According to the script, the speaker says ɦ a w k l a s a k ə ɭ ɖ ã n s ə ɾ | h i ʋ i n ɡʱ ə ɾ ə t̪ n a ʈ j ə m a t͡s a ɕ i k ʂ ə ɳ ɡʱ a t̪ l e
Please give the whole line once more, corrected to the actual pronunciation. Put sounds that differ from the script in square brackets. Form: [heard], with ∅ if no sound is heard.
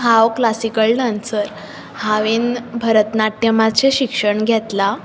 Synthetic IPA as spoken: ɦ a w k l a s [i] k ə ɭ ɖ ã n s ə ɾ | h [a] ʋ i n [bʱ] ə ɾ ə t̪ n a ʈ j ə m a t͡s [e] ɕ i k ʂ ə ɳ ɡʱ [ɛ] t̪ l [a]